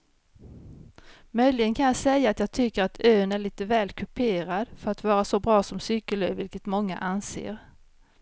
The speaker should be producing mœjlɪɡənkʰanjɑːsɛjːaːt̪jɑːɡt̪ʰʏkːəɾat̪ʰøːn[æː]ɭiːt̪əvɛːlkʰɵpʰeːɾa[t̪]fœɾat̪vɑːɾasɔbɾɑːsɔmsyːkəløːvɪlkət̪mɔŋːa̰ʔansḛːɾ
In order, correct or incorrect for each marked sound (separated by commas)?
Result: incorrect, incorrect